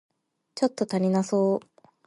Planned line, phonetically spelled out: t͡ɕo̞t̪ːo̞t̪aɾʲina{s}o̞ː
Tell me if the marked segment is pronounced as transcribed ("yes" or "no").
yes